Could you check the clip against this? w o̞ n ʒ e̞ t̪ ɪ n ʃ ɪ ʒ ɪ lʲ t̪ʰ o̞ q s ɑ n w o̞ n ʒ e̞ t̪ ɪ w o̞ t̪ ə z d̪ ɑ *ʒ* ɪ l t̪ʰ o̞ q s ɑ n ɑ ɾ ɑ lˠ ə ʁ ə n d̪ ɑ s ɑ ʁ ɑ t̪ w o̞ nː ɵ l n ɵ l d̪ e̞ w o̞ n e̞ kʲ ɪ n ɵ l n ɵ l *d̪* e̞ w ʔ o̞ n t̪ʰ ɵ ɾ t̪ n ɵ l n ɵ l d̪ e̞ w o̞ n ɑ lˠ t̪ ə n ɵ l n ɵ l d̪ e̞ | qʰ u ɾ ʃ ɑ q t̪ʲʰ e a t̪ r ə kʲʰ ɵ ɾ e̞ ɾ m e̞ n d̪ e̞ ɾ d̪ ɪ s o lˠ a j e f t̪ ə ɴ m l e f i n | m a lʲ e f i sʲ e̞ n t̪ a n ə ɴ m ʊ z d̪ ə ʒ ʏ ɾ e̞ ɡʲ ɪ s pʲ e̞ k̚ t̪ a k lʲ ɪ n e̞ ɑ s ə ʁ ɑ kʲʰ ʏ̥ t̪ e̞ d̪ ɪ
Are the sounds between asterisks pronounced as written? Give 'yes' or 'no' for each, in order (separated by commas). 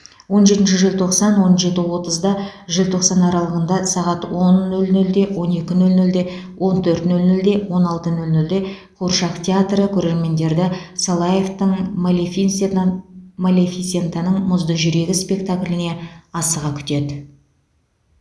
yes, yes